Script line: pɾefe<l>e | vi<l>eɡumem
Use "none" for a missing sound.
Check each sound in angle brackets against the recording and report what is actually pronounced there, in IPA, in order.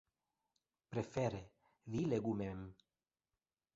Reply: ɾ, l

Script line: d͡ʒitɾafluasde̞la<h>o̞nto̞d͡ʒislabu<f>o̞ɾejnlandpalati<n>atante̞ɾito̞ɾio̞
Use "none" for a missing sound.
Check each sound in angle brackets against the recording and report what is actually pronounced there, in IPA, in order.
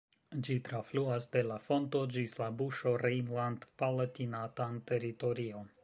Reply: f, ʃ, n

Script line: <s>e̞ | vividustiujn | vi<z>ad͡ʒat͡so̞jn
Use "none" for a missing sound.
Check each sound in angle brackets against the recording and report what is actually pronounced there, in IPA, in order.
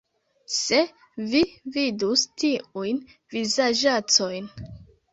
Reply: s, z

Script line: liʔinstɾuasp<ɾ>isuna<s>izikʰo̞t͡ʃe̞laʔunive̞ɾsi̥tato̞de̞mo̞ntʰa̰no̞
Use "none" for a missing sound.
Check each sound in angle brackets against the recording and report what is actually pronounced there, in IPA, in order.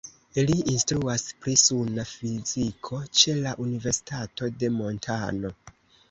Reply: ɾ, f

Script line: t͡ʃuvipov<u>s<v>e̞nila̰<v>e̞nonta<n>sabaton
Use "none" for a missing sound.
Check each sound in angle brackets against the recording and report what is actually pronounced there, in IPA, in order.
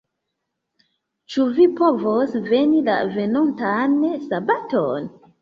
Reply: o, v, v, n

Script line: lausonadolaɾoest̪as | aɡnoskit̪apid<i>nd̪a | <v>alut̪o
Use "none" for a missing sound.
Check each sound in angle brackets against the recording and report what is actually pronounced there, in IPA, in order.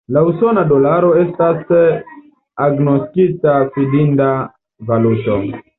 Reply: i, v

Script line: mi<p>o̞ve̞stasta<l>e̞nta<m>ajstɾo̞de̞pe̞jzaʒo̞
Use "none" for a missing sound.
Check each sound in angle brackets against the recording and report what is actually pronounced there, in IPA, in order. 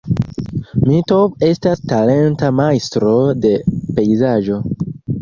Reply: t, l, m

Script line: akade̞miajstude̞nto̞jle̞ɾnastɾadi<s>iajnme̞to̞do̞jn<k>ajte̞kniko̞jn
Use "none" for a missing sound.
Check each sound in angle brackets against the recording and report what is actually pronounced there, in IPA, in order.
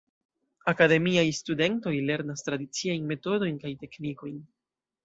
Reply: t͡s, k

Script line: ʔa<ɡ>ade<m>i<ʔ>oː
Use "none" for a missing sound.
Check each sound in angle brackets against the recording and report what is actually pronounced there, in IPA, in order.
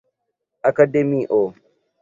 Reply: k, m, ʔ

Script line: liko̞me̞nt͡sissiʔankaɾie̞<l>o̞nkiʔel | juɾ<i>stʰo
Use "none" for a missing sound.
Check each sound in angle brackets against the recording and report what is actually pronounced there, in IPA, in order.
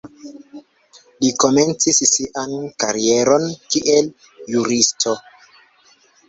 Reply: ɾ, i

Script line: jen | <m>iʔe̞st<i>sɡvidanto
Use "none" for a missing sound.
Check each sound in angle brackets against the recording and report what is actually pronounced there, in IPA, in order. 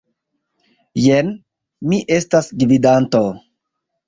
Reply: m, a

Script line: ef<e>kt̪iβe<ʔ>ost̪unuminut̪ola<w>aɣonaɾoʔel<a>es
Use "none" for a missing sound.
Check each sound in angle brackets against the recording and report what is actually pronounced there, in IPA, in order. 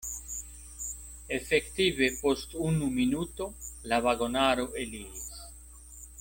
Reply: e, p, β, i

